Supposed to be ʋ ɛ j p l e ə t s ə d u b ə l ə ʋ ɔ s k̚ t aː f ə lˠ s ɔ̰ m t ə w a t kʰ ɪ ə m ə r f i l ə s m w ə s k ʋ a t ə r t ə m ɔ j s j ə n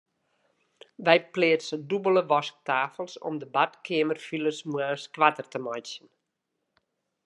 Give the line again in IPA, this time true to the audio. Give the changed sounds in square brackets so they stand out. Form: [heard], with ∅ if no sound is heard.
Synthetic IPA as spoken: ʋ ɛ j p l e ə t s ə d u b ə l ə ʋ ɔ s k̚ t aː f ə lˠ s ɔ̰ m [d] ə [b] a t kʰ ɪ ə m ə r f i l ə s m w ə s k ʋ a t ə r t ə m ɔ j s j ə n